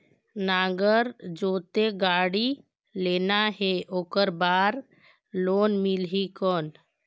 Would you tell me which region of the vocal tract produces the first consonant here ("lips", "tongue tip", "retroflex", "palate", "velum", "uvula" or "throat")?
tongue tip